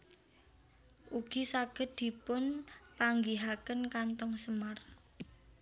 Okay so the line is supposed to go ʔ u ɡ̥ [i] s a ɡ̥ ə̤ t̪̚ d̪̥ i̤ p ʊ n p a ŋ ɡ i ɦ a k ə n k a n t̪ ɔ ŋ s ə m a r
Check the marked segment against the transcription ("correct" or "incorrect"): correct